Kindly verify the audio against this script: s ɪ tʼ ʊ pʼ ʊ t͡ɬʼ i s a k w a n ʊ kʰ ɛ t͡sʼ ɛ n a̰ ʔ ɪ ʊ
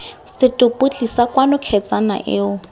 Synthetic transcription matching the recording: s ɪ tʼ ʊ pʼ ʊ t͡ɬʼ i s a k w a n ʊ kʰ ɛ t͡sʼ a n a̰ ʔ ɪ ʊ